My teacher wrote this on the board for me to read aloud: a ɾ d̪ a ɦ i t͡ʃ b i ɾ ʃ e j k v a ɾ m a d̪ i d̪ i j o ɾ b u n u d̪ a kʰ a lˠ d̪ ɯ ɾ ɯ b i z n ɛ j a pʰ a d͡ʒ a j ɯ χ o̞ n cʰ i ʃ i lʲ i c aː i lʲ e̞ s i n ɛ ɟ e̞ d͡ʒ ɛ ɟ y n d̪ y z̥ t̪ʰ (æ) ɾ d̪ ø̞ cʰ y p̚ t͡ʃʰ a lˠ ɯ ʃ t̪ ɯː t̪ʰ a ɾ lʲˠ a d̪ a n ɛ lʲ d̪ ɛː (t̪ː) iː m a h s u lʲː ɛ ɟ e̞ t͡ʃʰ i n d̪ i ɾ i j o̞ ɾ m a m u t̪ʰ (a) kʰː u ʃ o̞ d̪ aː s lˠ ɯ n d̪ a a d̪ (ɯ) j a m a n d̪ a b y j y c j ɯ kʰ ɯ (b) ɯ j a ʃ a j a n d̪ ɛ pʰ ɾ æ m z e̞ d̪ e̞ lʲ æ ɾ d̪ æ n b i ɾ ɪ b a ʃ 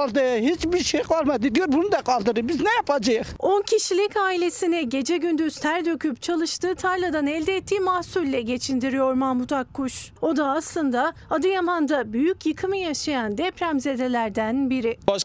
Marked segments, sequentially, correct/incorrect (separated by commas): correct, correct, correct, correct, incorrect